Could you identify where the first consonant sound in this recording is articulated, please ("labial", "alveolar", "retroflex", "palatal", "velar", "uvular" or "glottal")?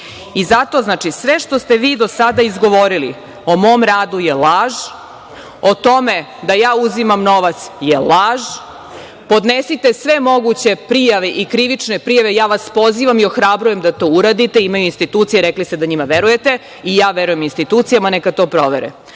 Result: alveolar